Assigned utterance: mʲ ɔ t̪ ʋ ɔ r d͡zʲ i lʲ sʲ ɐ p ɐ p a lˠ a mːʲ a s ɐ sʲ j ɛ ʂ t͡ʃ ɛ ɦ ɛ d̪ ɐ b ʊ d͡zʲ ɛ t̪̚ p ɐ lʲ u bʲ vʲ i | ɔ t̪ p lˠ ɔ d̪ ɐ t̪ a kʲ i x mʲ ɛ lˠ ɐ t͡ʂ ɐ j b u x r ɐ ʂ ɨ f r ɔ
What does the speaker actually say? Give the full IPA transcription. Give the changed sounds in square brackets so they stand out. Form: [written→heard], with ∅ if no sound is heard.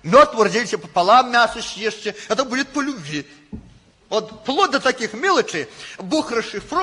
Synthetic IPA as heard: mʲ ɔ t̪ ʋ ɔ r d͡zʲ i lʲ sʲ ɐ p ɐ p a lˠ a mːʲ a s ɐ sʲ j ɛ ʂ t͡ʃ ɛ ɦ ɛ [d̪→t̪] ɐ b [ʊ→u] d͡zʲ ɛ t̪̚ p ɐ lʲ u bʲ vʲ i | ɔ t̪ p lˠ ɔ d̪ ɐ t̪ a kʲ i x mʲ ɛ lˠ ɐ t͡ʂ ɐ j b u x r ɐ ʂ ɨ f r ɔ